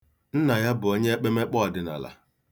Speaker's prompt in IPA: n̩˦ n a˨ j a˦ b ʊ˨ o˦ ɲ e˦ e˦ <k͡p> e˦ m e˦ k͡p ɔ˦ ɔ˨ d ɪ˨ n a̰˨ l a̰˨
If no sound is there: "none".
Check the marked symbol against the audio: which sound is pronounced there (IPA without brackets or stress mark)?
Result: k͡p